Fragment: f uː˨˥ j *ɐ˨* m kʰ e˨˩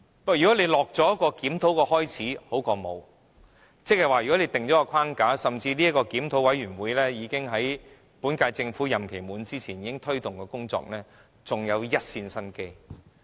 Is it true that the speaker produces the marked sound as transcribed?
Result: yes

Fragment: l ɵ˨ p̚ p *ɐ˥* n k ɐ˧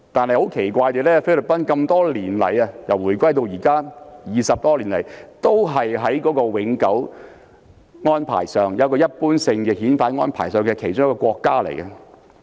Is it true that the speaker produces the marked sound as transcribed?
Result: yes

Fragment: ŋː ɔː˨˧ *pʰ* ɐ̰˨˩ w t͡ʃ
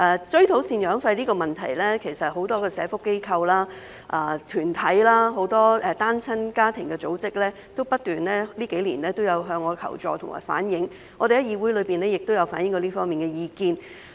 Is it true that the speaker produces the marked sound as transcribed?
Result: no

